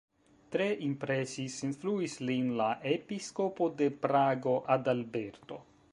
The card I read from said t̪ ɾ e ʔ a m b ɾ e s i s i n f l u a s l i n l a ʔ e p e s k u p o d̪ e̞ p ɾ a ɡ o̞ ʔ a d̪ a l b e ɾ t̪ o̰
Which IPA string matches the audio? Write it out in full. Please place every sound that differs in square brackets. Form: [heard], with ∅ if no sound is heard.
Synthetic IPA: t̪ ɾ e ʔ [i] m [p] ɾ e s i s i n f l u [i] s l i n l a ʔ e p [i] s k [o] p o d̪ e̞ p ɾ a ɡ o̞ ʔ a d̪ a l b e ɾ t̪ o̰